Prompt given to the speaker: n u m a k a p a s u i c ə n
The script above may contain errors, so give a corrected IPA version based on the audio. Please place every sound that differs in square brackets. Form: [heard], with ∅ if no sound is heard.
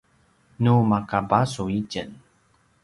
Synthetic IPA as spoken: n u m a k a [b] a s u i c ə n